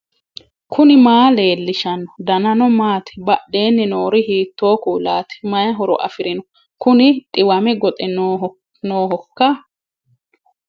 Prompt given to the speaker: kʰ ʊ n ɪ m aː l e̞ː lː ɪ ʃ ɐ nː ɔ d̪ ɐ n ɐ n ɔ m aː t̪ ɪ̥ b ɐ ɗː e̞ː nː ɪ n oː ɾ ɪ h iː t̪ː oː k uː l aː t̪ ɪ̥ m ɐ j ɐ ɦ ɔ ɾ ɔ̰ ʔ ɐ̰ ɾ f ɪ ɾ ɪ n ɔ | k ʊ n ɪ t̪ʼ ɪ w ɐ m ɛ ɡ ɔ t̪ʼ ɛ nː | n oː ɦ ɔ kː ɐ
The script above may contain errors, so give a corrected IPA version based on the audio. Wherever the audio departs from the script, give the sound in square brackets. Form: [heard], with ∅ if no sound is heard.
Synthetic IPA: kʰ ʊ n ɪ m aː l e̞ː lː ɪ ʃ ɐ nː ɔ d̪ ɐ n ɐ n ɔ m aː t̪ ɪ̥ b ɐ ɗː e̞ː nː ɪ n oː ɾ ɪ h iː t̪ː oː k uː l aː t̪ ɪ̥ m ɐ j ɐ ɦ ɔ ɾ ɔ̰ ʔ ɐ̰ [∅] f ɪ ɾ ɪ n ɔ | k ʊ n ɪ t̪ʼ ɪ w ɐ m ɛ ɡ ɔ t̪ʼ ɛ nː | n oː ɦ ɔ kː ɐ